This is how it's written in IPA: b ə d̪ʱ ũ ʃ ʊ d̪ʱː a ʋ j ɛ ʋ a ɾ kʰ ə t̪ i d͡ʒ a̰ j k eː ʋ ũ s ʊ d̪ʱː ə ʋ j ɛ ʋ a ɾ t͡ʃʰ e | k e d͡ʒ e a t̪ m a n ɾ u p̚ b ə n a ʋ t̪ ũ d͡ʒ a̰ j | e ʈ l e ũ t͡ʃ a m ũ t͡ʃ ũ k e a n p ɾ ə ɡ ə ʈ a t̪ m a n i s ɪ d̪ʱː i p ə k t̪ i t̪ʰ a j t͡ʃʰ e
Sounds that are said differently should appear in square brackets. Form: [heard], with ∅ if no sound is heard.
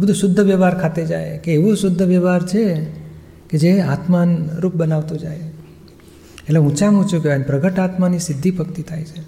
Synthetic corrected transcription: b ə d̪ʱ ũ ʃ ʊ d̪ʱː [ə] ʋ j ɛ ʋ a ɾ kʰ [a] t̪ [e] d͡ʒ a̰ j k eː ʋ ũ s ʊ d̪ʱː ə ʋ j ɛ ʋ a ɾ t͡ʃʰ e | k e d͡ʒ e a t̪ m a n ɾ u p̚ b ə n a ʋ t̪ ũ d͡ʒ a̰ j | e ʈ l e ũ t͡ʃ a m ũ t͡ʃ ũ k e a n p ɾ ə ɡ ə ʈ a t̪ m a n i s ɪ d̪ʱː i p ə k t̪ i t̪ʰ a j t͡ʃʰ e